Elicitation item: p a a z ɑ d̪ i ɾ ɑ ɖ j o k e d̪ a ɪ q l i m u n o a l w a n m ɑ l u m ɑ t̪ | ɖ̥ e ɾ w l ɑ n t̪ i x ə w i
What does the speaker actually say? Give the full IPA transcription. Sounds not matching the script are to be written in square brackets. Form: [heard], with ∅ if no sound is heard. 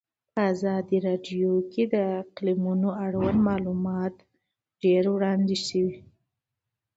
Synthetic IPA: p [ə] a z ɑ d̪ i ɾ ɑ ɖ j o k e d̪ [ə] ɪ q l i m u n o a [ɽ] w a n m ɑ l u m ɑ t̪ | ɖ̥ e ɾ w [ɽ] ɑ n [d̪] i [ʃ] ə w i